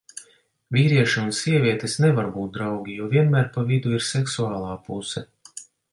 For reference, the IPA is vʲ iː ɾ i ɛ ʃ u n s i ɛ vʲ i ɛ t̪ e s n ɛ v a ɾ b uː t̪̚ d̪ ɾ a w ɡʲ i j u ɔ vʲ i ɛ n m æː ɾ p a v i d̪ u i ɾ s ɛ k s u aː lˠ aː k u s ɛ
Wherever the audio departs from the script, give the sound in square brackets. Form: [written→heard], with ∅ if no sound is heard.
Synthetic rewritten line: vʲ iː ɾ i ɛ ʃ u n s i ɛ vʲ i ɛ t̪ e s n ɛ v a ɾ b uː t̪̚ d̪ ɾ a w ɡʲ i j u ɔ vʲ i ɛ n m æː ɾ p a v i d̪ u i ɾ s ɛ k s u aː lˠ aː [k→p] u s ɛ